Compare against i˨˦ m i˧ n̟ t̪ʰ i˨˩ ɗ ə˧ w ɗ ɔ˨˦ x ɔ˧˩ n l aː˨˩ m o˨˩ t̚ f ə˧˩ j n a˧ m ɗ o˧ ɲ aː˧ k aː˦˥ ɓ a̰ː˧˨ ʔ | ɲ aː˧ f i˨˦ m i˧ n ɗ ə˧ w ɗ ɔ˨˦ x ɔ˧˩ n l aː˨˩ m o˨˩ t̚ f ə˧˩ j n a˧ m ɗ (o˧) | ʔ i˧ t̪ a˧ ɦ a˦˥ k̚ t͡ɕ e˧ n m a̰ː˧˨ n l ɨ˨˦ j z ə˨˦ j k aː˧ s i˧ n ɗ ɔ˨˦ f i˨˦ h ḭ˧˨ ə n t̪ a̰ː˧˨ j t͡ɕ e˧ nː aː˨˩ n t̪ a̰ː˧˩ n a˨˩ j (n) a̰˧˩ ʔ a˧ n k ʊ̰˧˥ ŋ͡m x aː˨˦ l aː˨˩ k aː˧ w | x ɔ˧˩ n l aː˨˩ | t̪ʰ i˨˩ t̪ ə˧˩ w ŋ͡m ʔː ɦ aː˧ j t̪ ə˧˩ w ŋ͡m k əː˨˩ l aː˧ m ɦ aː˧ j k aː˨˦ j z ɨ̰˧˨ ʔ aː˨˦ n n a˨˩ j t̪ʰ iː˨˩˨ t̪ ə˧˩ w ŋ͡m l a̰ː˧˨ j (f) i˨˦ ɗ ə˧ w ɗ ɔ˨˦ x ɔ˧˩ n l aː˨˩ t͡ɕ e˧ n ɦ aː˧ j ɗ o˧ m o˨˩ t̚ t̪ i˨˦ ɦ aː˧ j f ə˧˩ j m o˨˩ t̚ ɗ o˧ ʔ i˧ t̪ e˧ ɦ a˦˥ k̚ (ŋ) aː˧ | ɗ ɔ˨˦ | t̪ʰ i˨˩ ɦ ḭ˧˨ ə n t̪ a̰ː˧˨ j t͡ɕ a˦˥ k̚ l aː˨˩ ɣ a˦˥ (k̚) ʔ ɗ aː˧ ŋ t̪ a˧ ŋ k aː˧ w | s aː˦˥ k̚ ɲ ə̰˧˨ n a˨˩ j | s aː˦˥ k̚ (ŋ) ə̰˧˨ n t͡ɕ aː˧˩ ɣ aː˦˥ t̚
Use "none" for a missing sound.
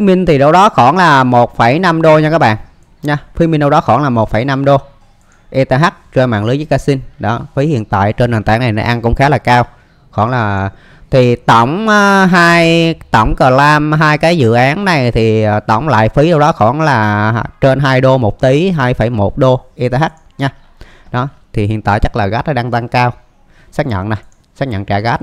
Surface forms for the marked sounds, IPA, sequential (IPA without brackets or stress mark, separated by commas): o˧, n, f, ɲ, t̚, ɲ